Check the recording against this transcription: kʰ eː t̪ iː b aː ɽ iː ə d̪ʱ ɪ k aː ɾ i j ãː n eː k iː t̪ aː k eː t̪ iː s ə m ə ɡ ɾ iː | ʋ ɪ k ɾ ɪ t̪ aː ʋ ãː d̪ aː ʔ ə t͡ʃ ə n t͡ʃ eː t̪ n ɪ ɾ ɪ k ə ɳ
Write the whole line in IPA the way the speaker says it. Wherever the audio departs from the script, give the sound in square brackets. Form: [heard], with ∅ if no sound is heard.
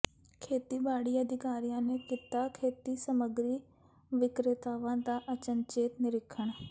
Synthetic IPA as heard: kʰ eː t̪ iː b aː ɽ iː ə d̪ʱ ɪ k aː ɾ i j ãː n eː k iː t̪ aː [kʰ] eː t̪ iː s ə m ə ɡ ɾ iː | ʋ ɪ k ɾ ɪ t̪ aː ʋ ãː d̪ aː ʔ ə t͡ʃ ə n t͡ʃ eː t̪ n ɪ ɾ ɪ [kʰ] ə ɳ

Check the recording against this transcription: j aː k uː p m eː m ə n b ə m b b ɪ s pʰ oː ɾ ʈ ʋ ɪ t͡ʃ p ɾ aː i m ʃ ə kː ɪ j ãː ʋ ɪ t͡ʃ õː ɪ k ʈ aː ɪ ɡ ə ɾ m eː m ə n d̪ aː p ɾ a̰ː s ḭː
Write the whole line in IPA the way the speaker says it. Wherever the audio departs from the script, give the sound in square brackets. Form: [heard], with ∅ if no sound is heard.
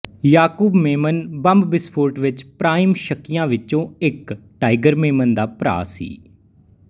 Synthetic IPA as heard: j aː k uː [b] m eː m ə n b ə m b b ɪ s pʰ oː ɾ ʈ ʋ ɪ t͡ʃ p ɾ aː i m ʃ ə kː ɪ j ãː ʋ ɪ t͡ʃ õː ɪ k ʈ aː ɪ ɡ ə ɾ m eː m ə n d̪ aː p ɾ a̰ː s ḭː

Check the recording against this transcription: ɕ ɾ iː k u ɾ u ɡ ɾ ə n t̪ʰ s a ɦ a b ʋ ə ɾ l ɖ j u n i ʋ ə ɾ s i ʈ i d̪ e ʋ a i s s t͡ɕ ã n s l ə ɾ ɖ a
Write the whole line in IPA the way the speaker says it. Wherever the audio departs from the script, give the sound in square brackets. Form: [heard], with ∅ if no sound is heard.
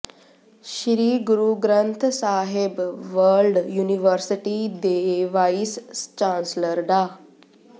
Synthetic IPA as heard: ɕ ɾ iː [ɡ] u ɾ u ɡ ɾ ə n t̪ʰ s a ɦ [e] b ʋ ə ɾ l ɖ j u n i ʋ ə ɾ s i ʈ i d̪ e ʋ a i s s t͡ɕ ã n s l ə ɾ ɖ a

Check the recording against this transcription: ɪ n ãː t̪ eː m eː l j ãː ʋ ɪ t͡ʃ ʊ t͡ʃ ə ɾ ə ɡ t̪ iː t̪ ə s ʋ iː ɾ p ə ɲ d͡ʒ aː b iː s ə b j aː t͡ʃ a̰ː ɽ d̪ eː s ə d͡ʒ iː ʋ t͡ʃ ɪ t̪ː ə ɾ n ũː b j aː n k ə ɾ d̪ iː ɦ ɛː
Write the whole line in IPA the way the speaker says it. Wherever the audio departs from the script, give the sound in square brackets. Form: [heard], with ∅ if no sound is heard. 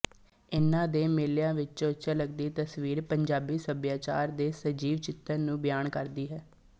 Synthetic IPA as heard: ɪ n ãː [d̪] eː m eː l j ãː ʋ ɪ t͡ʃ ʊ t͡ʃ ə [l] ə ɡ [d̪] iː t̪ ə s ʋ iː ɾ p ə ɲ d͡ʒ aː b iː s ə b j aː t͡ʃ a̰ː [ɾ] d̪ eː s ə d͡ʒ iː ʋ t͡ʃ ɪ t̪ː ə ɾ n ũː b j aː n k ə ɾ d̪ iː ɦ ɛː

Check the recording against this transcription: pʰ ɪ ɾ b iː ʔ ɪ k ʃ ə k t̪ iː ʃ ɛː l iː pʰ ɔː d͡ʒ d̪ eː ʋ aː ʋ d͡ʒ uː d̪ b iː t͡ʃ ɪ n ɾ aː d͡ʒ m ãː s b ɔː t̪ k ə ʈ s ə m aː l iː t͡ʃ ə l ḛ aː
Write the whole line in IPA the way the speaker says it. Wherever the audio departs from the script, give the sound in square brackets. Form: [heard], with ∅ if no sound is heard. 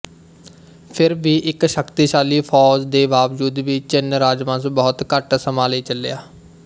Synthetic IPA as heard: pʰ ɪ ɾ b iː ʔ ɪ k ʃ ə k t̪ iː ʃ [aː] l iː pʰ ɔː d͡ʒ d̪ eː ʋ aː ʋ d͡ʒ uː d̪ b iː t͡ʃ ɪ n ɾ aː d͡ʒ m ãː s b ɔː t̪ k ə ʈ s ə m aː l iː t͡ʃ ə l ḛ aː

